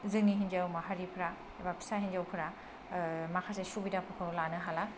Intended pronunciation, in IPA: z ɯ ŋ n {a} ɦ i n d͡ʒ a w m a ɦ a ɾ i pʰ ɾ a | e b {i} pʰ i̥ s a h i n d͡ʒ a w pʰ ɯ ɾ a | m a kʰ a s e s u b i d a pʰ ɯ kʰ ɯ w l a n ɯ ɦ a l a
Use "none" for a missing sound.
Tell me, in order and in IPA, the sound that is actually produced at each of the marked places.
i, a

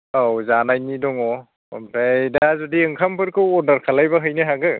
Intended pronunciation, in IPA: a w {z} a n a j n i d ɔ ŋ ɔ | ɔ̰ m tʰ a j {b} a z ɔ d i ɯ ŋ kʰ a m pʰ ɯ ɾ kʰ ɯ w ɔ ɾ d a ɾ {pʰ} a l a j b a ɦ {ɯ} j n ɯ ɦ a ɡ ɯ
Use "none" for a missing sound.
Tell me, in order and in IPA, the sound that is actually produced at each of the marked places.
z, d, kʰ, ɯ

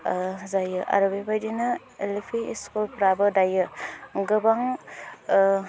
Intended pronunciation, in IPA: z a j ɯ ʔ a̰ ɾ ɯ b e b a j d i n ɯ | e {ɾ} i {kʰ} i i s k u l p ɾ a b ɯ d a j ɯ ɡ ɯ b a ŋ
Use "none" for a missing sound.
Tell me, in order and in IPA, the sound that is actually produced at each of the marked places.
l, pʰ

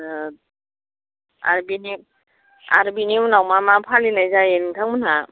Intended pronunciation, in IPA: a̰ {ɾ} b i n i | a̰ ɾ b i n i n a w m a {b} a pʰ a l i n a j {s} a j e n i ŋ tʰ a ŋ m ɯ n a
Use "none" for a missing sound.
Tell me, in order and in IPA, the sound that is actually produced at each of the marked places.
ɾ, m, z

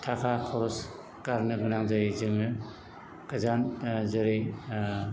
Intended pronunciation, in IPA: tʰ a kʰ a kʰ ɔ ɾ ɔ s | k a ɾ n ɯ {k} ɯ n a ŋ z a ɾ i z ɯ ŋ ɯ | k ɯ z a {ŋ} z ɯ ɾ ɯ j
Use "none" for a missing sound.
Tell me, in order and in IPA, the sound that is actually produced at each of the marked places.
ɡ, n

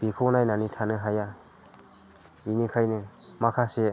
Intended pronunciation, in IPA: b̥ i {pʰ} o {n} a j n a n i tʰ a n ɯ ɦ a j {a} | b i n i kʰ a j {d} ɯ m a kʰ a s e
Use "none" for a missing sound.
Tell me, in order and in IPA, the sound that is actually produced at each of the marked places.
kʰ, n, a, n

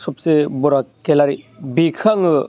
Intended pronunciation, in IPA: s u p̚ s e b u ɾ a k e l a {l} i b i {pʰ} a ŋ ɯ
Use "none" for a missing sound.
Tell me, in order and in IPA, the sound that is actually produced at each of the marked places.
ɾ, kʰ

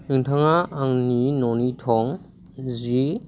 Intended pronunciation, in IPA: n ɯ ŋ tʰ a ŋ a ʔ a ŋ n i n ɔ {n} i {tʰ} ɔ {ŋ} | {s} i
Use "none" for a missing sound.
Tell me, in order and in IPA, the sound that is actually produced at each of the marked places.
n, tʰ, ŋ, z

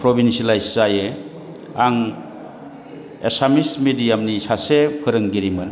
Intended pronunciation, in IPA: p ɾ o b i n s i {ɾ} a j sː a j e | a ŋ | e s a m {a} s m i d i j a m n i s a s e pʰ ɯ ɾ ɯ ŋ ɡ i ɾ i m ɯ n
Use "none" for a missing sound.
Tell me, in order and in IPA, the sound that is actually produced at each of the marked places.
l, i

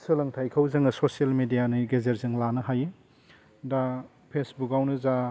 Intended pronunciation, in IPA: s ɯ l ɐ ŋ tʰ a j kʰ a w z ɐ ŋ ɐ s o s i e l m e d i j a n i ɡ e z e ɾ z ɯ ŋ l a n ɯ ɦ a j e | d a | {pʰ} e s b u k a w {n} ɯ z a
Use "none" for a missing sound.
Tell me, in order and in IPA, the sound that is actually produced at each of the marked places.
pʰ, n

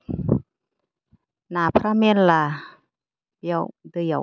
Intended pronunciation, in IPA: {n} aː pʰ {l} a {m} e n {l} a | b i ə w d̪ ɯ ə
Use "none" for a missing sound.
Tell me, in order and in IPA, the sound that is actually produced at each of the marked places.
n, ɾ, m, l

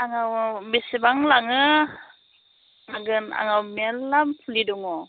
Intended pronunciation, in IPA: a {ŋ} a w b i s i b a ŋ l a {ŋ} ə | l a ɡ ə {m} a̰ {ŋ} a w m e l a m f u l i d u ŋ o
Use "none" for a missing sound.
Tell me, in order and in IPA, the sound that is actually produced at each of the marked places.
ŋ, ŋ, n, ŋ

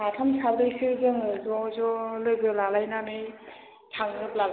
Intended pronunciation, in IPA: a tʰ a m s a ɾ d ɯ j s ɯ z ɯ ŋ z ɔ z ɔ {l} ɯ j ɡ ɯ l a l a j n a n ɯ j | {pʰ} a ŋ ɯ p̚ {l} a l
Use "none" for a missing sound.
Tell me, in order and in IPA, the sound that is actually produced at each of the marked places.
l, tʰ, l

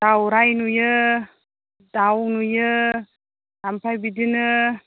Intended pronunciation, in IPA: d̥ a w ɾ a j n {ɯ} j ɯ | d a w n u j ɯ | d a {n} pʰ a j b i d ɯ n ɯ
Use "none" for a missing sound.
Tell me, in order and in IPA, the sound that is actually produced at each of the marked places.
u, m

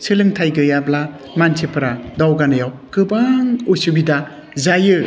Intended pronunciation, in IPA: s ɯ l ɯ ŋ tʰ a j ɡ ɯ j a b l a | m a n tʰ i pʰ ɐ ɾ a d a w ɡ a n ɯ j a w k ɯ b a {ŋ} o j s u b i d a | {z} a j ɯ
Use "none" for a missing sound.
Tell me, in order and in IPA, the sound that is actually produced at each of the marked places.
ŋ, z

